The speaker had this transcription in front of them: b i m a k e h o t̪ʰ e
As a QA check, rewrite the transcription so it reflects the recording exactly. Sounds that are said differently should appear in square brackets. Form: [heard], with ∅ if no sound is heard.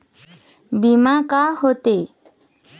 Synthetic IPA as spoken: b i m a k [a] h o [t̪] e